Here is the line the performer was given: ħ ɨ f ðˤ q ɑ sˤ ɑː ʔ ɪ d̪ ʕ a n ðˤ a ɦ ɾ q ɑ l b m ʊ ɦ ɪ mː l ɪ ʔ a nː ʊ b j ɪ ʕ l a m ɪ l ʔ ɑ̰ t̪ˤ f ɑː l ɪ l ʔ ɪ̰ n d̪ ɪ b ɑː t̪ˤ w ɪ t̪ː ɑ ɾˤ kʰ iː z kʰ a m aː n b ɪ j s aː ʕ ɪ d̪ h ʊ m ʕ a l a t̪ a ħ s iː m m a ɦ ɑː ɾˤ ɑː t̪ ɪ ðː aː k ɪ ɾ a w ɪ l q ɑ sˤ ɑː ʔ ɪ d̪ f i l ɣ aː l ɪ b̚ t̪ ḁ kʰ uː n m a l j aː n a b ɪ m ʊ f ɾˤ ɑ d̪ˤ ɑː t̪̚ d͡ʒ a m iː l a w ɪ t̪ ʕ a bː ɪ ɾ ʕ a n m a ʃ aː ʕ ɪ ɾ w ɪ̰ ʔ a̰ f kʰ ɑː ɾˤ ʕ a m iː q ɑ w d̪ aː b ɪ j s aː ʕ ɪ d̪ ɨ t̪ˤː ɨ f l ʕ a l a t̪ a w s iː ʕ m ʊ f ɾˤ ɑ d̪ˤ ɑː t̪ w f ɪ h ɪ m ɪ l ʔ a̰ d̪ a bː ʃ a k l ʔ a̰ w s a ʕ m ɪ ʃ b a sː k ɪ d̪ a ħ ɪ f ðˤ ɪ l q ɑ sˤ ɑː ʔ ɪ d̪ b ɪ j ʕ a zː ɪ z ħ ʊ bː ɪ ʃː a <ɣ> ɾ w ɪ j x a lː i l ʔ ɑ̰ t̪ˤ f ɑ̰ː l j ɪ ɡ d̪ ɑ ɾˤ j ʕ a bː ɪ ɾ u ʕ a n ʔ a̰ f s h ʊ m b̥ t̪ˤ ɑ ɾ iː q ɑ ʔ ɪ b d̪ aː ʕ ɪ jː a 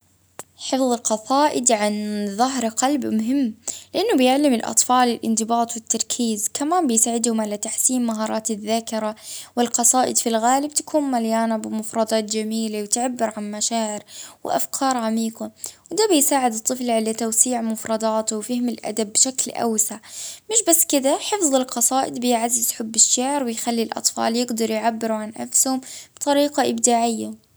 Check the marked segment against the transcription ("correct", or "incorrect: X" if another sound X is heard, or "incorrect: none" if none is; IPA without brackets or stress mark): incorrect: ʕ